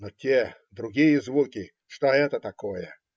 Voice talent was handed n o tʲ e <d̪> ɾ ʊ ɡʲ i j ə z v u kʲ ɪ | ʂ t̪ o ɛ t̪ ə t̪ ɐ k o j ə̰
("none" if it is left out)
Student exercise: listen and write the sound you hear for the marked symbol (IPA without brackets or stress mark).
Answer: d̪